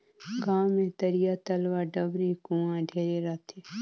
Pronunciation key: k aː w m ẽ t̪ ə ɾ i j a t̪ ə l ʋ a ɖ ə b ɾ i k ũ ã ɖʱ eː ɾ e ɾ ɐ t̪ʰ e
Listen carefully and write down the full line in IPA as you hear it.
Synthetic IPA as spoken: ɡ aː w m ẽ t̪ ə ɾ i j a t̪ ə l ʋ a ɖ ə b ɾ i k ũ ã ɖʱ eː ɾ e ɾ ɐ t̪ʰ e